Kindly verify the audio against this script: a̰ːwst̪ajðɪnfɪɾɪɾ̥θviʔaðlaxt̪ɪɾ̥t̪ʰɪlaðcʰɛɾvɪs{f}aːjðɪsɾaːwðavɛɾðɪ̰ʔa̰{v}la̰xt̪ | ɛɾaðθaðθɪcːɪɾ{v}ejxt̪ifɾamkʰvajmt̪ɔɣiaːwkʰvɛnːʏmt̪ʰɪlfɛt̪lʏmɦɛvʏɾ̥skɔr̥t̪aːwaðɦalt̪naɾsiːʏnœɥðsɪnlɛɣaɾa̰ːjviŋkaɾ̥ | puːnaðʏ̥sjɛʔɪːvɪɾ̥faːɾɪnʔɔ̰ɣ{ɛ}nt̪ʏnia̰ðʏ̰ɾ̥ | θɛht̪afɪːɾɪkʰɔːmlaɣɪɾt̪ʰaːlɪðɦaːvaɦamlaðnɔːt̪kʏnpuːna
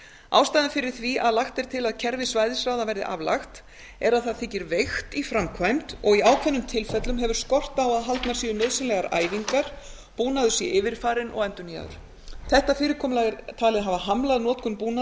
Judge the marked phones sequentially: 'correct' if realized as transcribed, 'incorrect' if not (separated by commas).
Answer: incorrect, correct, correct, correct